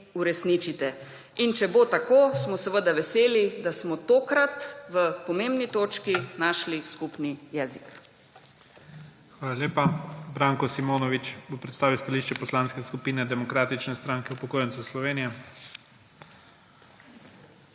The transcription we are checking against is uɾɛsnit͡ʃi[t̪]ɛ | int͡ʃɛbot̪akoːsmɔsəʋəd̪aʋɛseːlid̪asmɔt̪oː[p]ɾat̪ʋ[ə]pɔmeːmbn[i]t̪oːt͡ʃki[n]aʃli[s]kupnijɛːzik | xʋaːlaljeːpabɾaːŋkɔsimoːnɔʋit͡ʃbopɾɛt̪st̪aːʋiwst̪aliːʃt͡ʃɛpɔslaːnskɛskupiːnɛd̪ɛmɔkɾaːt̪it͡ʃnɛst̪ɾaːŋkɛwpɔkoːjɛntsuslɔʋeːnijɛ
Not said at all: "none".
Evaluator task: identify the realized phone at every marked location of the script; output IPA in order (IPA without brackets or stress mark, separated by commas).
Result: t̪, k, ə, i, n, s